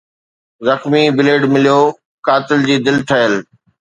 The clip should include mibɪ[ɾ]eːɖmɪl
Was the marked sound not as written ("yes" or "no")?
yes